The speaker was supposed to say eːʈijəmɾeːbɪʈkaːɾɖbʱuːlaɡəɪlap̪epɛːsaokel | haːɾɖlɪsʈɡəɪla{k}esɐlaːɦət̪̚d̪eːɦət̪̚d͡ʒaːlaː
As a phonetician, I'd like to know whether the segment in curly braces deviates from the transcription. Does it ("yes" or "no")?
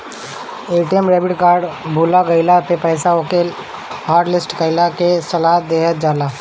no